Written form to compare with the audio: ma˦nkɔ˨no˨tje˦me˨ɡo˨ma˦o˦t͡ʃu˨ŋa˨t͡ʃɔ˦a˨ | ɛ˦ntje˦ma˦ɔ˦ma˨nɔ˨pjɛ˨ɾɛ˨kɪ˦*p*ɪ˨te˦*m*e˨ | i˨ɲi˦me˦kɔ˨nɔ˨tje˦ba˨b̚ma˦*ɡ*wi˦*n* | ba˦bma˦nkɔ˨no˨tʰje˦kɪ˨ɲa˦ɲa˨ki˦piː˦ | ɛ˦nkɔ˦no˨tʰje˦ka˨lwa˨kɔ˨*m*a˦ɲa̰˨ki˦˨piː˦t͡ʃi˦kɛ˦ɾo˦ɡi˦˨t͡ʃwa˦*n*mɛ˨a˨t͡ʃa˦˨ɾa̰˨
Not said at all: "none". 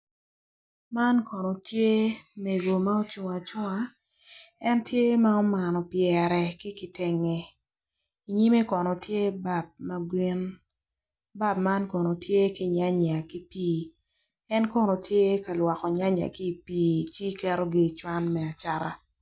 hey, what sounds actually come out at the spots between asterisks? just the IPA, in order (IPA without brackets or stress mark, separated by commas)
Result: k, ŋ, ɡ, n, ɲ, n